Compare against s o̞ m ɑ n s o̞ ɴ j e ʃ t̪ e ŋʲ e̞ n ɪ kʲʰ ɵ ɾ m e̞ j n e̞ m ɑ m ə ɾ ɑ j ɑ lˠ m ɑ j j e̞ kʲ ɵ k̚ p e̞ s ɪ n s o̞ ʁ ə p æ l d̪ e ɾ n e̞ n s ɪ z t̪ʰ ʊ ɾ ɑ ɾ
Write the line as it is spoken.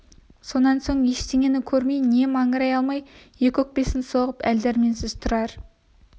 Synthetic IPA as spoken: s o̞ n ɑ n s o̞ ɴ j e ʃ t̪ e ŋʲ e̞ n ɪ kʲʰ ɵ ɾ m e̞ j n e̞ m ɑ ɴ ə ɾ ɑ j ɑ lˠ m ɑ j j e̞ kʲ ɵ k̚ p e̞ s ɪ n s o̞ ʁ ə p æ l d̪ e ɾ m e̞ n s ɪ z t̪ʰ ʊ ɾ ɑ ɾ